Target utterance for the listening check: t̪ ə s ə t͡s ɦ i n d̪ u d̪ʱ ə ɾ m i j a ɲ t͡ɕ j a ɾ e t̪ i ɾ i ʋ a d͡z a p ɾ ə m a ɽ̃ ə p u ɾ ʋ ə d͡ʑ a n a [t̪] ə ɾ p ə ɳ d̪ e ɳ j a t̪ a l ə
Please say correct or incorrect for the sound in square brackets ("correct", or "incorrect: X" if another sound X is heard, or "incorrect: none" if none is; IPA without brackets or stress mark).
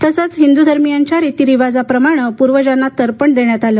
correct